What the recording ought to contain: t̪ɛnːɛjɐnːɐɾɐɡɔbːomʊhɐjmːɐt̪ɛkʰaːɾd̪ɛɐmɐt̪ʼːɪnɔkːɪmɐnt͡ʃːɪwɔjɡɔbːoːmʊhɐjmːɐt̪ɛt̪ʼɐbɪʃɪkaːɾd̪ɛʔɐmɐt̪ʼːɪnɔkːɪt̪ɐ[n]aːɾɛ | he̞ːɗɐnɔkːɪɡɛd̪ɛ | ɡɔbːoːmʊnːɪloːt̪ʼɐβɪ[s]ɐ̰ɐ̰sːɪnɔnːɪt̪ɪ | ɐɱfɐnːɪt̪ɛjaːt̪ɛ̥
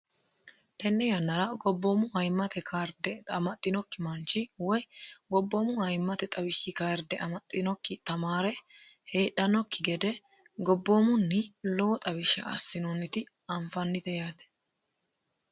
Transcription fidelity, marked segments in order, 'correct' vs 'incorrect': incorrect: m, incorrect: ʃ

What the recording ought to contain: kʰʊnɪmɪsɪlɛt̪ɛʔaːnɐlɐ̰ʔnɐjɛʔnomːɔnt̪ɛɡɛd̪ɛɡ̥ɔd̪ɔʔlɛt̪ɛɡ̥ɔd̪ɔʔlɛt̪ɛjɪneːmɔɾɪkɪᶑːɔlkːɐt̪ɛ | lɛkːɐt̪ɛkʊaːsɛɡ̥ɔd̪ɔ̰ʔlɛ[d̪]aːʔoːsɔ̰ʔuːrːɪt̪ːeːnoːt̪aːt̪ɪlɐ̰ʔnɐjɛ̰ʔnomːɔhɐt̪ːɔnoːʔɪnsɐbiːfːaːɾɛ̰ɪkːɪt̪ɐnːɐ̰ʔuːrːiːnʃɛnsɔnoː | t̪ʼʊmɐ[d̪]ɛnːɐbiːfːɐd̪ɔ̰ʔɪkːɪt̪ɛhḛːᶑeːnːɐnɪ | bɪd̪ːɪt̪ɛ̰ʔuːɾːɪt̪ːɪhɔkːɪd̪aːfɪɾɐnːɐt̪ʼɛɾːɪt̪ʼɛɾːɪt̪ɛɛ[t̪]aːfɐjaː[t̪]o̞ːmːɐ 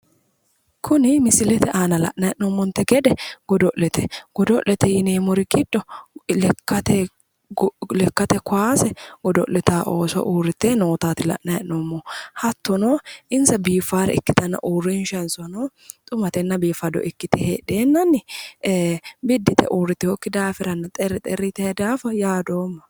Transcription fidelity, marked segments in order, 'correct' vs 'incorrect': incorrect: t̪, incorrect: t̪, incorrect: d̪, incorrect: d̪

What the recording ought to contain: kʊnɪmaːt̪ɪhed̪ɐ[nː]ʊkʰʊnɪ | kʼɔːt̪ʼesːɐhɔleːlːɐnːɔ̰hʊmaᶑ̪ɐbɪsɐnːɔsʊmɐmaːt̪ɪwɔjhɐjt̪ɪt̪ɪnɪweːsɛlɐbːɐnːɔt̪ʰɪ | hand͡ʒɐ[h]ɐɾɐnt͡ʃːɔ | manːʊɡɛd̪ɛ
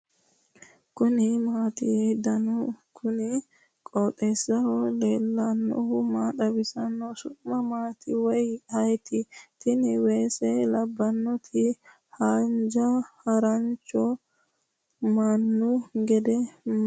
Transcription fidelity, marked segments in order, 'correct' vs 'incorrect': incorrect: n, correct

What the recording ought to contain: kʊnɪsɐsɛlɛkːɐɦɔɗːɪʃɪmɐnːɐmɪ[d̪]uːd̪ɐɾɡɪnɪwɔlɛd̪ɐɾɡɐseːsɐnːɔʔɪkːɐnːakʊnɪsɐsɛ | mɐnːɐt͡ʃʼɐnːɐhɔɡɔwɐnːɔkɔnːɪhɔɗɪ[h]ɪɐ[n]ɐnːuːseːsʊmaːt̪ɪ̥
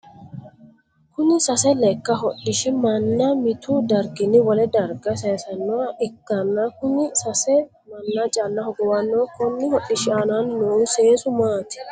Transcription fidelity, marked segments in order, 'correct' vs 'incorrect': incorrect: t̪, incorrect: ʃ, correct

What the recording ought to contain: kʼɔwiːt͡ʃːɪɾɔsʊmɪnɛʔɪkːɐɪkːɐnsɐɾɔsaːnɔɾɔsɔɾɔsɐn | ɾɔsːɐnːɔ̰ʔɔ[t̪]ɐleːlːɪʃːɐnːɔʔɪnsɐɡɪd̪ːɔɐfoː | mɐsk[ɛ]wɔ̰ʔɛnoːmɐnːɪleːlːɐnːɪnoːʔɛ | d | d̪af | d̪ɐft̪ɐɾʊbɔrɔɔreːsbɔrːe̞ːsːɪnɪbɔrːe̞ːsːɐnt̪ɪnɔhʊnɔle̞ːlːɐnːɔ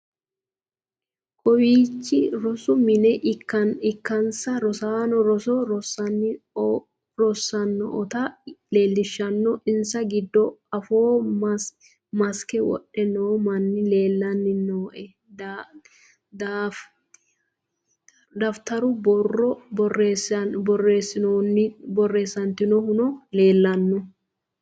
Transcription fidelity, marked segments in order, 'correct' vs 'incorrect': correct, correct

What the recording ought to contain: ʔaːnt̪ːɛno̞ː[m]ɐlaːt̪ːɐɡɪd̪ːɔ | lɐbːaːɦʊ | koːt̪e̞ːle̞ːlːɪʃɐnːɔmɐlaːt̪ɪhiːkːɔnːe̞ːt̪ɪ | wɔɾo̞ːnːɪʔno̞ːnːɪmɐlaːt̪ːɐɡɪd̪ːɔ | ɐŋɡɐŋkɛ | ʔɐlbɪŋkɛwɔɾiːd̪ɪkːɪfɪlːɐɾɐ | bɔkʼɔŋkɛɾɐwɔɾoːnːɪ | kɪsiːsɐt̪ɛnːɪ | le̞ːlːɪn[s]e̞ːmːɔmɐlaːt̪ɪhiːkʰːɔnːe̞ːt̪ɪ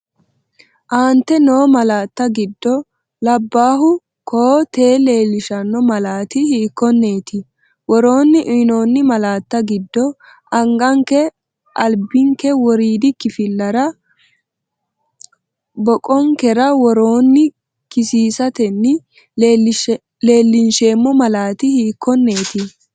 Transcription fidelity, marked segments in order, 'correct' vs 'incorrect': correct, incorrect: ʃ

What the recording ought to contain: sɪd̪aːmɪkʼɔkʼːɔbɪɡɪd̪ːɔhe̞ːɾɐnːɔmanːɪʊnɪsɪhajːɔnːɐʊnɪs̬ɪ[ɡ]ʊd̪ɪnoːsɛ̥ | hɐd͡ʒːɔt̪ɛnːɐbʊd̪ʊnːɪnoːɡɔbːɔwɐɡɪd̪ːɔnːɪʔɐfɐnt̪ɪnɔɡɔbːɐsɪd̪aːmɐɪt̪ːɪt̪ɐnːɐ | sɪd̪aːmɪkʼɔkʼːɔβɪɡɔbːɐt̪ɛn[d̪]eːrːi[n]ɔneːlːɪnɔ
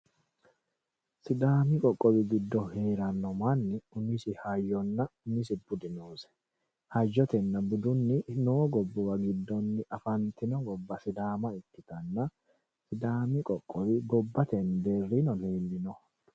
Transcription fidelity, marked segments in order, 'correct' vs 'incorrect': incorrect: b, correct, correct

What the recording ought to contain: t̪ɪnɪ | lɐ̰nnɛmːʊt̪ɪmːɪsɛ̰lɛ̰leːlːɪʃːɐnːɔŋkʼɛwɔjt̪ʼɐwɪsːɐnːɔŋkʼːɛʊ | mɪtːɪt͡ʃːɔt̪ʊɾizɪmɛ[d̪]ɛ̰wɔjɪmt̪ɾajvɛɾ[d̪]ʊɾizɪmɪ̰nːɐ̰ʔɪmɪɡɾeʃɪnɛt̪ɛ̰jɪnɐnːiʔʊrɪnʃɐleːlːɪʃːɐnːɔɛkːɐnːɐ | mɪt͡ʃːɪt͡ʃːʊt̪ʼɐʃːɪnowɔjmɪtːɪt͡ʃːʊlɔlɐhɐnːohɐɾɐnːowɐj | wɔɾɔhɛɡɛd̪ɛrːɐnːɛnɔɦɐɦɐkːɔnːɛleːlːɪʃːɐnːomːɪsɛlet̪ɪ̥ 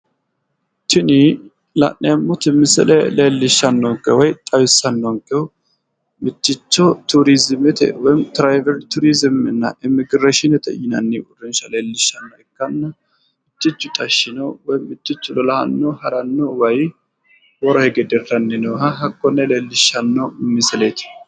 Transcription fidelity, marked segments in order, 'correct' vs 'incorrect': incorrect: t̪, incorrect: t̪

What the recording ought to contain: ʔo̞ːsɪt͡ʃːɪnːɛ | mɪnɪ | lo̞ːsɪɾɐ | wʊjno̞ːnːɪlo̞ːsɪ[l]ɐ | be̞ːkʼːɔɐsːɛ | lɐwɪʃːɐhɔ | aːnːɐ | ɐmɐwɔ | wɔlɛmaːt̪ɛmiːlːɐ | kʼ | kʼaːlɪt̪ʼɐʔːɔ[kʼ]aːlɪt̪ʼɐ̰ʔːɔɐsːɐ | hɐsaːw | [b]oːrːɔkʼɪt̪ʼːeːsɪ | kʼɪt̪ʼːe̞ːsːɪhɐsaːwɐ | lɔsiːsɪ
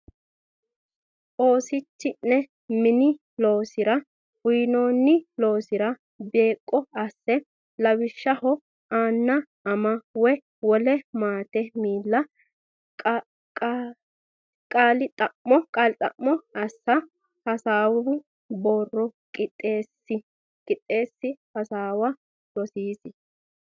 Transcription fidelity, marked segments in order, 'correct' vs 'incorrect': incorrect: ɾ, correct, correct

